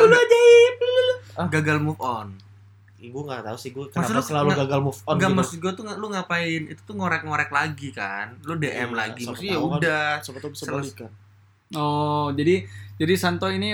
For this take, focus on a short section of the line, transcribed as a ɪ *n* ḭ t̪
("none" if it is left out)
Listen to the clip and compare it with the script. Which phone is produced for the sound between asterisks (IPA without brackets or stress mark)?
n